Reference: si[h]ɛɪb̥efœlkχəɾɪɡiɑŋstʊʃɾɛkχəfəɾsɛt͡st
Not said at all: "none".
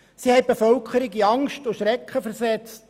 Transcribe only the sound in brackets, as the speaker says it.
h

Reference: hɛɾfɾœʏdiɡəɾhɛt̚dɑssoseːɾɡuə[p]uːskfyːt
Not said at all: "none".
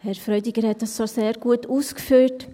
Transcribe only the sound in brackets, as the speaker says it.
t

